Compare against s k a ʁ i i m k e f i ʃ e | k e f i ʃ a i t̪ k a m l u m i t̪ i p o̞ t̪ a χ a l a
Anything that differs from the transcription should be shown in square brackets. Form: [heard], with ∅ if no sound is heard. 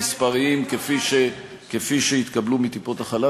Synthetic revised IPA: s [p] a ʁ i i m k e f i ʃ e | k e f i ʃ [e] i t̪ k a [b] l u m i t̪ i p o̞ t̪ a χ a l a